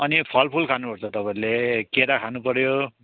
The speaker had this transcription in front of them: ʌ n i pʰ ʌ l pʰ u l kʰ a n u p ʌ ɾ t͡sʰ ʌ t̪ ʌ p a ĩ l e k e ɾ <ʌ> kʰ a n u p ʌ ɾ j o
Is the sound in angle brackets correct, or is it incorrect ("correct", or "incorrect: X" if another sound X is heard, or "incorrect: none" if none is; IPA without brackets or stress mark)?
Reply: incorrect: a